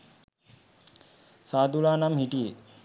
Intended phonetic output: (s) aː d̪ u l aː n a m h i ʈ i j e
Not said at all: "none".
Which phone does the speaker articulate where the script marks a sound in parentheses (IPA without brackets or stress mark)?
s